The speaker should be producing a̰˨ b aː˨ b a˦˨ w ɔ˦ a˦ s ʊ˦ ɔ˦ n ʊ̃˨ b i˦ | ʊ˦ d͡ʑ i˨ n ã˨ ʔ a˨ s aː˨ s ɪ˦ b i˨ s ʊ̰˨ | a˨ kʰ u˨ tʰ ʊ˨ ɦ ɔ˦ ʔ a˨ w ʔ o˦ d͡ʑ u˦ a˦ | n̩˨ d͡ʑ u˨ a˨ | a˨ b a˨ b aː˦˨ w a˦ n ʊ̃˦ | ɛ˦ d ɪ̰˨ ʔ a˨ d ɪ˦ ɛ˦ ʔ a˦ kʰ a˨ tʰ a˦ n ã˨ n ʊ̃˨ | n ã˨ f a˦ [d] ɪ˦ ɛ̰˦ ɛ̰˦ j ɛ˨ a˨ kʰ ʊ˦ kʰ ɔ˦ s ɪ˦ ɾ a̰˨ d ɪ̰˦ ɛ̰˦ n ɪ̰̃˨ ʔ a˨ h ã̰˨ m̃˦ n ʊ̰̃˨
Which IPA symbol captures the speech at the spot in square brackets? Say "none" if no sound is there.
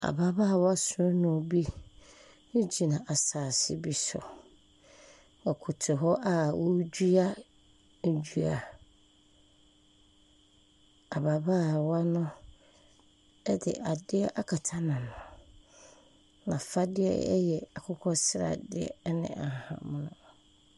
d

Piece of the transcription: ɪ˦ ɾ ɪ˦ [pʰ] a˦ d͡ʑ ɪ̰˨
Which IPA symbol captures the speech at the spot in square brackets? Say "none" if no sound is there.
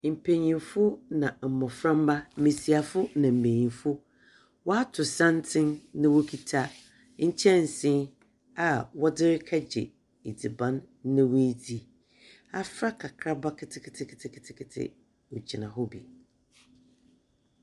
kʰ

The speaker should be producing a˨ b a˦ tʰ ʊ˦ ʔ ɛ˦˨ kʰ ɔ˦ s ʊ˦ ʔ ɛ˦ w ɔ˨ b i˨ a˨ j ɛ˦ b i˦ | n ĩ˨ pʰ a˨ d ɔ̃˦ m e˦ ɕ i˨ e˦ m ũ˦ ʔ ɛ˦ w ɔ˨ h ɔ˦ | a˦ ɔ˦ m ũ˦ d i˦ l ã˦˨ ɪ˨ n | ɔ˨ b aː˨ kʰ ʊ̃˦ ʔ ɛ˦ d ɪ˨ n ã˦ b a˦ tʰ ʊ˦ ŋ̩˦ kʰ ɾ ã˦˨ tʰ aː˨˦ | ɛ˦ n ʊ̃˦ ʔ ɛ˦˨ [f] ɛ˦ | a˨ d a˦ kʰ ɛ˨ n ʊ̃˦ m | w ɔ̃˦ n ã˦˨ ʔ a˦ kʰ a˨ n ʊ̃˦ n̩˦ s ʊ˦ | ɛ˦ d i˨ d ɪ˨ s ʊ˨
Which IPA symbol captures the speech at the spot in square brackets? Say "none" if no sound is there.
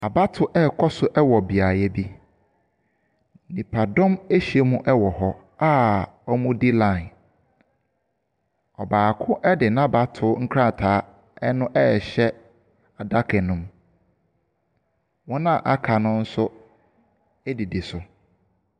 ɕ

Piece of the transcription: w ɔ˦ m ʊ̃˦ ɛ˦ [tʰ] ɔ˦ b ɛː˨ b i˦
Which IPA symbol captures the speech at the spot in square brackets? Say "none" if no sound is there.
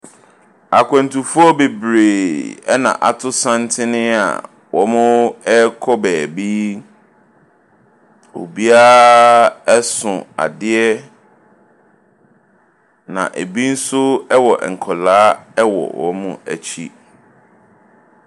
kʰ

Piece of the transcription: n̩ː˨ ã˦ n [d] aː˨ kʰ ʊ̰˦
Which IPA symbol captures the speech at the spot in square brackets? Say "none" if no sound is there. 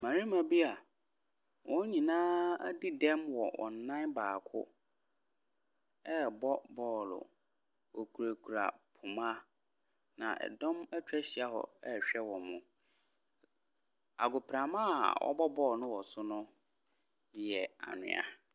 b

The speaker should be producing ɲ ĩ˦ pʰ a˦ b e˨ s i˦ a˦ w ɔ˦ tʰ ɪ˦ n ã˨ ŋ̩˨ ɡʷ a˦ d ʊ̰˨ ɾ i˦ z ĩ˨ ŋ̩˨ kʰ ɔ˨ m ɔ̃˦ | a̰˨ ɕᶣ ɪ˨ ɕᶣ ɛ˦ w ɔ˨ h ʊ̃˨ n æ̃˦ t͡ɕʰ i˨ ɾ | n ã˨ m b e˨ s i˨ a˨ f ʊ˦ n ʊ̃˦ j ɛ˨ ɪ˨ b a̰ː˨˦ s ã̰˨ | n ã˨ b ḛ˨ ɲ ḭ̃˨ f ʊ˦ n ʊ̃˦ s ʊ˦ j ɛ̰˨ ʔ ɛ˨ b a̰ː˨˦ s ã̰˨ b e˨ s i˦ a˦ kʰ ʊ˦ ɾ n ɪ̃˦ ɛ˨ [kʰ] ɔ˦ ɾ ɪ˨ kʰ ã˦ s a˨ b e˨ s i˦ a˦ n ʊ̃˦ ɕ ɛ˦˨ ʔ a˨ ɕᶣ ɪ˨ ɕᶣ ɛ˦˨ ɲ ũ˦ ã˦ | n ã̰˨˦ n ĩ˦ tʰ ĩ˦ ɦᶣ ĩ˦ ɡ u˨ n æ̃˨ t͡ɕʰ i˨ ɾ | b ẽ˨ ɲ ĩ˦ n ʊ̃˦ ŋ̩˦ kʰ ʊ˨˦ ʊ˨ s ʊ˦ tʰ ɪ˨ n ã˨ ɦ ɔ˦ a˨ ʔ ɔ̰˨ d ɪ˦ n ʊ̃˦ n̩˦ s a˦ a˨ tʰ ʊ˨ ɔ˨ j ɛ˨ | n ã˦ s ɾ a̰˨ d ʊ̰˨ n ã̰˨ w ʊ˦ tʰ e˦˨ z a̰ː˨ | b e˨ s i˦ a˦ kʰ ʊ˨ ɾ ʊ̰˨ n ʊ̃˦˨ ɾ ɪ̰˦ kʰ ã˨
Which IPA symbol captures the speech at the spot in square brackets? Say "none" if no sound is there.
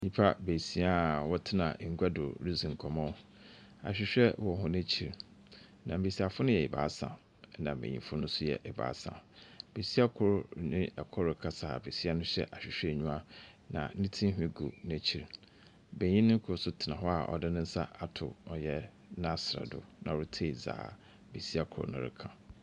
kʰ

